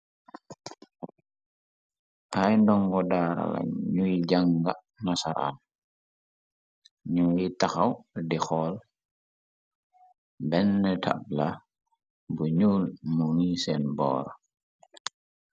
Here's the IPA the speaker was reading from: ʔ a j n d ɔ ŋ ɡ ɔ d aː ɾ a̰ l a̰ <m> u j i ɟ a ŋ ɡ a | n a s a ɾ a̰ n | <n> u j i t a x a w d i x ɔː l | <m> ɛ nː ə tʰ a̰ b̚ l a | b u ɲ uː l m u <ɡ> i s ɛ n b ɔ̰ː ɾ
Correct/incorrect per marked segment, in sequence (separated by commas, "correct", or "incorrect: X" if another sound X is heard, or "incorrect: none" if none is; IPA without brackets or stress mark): incorrect: ɲ, incorrect: ɲ, incorrect: b, incorrect: ŋ